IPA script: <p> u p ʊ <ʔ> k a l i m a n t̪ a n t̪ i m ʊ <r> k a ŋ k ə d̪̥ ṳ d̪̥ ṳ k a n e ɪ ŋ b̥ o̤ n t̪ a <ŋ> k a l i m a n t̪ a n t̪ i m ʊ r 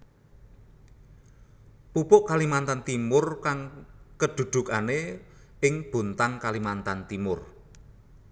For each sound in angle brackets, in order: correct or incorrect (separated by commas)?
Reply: correct, correct, correct, correct